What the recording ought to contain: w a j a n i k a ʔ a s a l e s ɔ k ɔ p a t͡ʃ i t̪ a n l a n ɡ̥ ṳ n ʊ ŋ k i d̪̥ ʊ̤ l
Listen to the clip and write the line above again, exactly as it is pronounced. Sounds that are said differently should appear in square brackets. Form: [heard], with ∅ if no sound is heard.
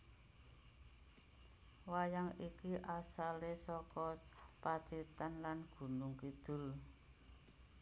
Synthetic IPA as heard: w a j a [ŋ] i k [i] ʔ a s a l e s ɔ k ɔ p a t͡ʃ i t̪ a n l a n ɡ̥ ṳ n ʊ ŋ k i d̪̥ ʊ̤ l